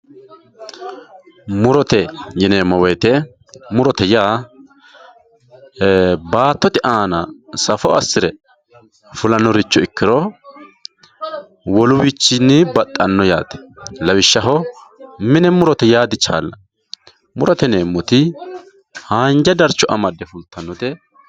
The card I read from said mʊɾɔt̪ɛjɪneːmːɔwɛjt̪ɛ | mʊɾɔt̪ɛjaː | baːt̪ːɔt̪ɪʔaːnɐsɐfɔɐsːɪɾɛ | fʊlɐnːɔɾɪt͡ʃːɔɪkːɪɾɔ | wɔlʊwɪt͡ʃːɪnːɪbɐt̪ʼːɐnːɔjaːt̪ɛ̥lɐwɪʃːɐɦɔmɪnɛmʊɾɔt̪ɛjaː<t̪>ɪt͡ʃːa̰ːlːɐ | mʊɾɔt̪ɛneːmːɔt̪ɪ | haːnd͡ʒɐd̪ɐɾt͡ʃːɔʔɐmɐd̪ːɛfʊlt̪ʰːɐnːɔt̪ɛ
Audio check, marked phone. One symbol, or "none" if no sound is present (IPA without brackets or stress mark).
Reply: d̪